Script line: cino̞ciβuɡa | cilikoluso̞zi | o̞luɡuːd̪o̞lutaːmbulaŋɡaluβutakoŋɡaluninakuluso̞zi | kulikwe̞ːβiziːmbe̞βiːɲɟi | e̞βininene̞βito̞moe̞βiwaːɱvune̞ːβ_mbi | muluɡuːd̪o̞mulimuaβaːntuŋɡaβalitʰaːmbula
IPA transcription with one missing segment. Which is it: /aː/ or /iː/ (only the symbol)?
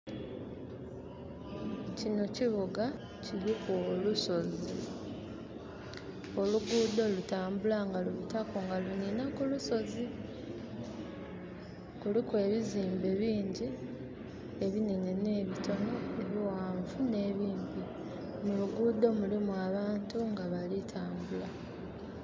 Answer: iː